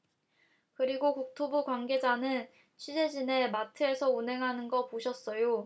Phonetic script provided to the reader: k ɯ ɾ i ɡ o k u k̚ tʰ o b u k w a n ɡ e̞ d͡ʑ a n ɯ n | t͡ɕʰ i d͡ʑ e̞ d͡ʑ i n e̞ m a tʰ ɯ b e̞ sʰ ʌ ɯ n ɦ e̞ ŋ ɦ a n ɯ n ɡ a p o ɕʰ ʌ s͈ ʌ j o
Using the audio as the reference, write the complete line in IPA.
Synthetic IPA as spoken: k ɯ ɾ i ɡ o k u k̚ tʰ o b u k w a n ɡ e̞ d͡ʑ a n ɯ n | t͡ɕʰ i d͡ʑ e̞ d͡ʑ i n e̞ m a tʰ ɯ e̞ sʰ ʌ u n ɦ e̞ ŋ ɦ a n ɯ n ɡ ʌ p o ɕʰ ʌ s͈ ʌ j o

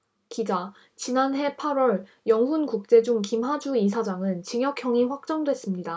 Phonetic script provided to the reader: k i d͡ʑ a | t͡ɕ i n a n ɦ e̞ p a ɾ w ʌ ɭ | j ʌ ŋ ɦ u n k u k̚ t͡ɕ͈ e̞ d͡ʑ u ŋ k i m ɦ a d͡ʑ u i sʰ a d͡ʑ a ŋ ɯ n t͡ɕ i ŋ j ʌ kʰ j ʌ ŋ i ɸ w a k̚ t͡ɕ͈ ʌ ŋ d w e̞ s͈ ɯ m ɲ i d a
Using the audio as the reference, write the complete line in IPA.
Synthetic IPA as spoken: k i d͡ʑ a | t͡ɕ i n a n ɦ e̞ pʰ a ɾ w ʌ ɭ | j ʌ ŋ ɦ u n k u k̚ t͡ɕ͈ e̞ d͡ʑ u ŋ k i m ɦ a d͡ʑ u i sʰ a d͡ʑ a ŋ ɯ n t͡ɕ i ŋ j ʌ kʰ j ʌ ŋ i ɸ w a k̚ t͡ɕ͈ ʌ ŋ d w e̞ s͈ ɯ m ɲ i d a

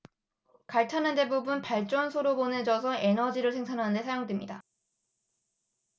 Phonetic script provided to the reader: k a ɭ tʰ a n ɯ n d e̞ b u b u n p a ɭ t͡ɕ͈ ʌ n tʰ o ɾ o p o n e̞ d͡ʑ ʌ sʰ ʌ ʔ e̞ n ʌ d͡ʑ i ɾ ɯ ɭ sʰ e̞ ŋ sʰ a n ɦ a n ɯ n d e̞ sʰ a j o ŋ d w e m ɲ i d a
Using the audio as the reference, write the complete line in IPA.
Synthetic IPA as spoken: k a ɭ tʰ a n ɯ n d e̞ b u b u n p a ɭ t͡ɕ͈ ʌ n sʰ o ɾ o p o n e̞ d͡ʑ ʌ sʰ ʌ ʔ e̞ n ʌ d͡ʑ i ɾ ɯ ɭ sʰ e̞ ŋ sʰ a n ɦ a n ɯ n d e̞ sʰ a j o ŋ d w e m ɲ i d a

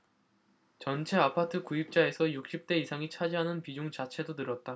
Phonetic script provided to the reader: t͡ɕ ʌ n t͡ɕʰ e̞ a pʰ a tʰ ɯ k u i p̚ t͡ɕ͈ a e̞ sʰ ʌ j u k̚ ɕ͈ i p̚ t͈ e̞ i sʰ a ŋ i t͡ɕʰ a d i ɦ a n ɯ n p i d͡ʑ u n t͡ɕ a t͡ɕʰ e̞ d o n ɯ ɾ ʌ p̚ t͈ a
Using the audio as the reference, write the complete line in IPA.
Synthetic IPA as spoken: t͡ɕ ʌ n t͡ɕʰ e̞ a pʰ a tʰ ɯ k u i p̚ t͡ɕ͈ a e̞ sʰ ʌ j u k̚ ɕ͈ i p̚ t͈ e̞ i sʰ a ŋ i t͡ɕʰ a d͡ʑ i ɦ a n ɯ n p i d͡ʑ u ŋ t͡ɕ a t͡ɕʰ e̞ d o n ɯ ɾ ʌ t̚ t͈ a

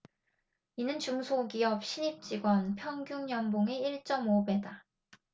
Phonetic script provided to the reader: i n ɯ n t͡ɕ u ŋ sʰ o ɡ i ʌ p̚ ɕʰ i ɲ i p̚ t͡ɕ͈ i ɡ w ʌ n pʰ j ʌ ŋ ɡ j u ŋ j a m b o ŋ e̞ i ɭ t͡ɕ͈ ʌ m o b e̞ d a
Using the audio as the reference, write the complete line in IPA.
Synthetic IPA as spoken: i n ɯ n t͡ɕ u ŋ sʰ o ɡ i ʌ p̚ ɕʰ i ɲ i p̚ t͡ɕ͈ i ɡ w ʌ n pʰ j ʌ ŋ ɡ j u ŋ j ʌ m b o ŋ e̞ i ɭ t͡ɕ͈ ʌ m o b e̞ d a

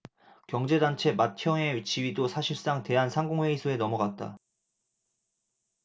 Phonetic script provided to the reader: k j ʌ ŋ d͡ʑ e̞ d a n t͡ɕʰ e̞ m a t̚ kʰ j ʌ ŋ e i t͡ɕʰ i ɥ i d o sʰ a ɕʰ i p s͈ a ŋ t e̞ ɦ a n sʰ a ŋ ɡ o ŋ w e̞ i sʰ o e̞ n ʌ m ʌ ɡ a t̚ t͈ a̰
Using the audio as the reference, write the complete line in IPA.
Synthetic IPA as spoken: k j ʌ ŋ d͡ʑ e̞ d a n t͡ɕʰ e̞ m a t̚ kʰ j ʌ ŋ e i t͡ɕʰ i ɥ i d o sʰ a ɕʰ i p s͈ a ŋ t e̞ ɦ a n sʰ a ŋ ɡ o ŋ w e̞ i sʰ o e̞ n ʌ m ʌ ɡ a t̚ t͈ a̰

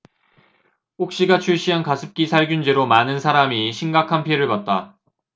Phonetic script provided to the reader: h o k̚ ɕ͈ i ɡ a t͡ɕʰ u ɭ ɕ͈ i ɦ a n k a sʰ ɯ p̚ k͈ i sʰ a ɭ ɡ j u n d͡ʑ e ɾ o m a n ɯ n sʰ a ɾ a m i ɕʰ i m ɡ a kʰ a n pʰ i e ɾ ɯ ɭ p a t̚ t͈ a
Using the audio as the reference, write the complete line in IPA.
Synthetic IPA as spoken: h o k̚ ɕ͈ i ɡ a t͡ɕʰ u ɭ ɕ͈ i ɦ a n k a sʰ ɯ p̚ k͈ i sʰ a ɭ ɡ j u n d͡ʑ e ɾ o m a n ɯ n sʰ a ɾ a m i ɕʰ i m ɡ a kʰ a n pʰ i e ɾ ɯ ɭ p a t̚ t͈ a

